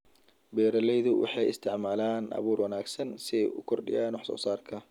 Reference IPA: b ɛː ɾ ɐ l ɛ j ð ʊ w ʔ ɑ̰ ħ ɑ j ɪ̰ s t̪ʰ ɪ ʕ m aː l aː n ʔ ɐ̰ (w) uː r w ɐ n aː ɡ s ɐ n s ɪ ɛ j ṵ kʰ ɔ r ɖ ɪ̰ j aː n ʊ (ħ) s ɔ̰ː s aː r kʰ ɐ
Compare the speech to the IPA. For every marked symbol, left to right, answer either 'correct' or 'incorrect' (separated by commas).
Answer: incorrect, correct